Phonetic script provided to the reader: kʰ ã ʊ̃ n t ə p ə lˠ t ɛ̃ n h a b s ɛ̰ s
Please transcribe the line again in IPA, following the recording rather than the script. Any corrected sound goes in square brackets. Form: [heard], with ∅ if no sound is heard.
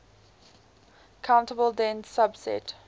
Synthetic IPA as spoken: kʰ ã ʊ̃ n t ə [b] ə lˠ [d] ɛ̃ n [s] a b s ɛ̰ [t]